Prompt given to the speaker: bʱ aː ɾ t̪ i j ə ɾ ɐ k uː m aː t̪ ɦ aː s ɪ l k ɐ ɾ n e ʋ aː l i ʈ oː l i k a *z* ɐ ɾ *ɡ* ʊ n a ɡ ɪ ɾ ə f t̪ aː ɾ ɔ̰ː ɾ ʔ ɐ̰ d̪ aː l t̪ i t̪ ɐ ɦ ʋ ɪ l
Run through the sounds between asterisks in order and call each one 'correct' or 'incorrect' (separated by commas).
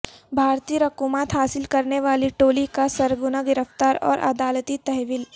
incorrect, correct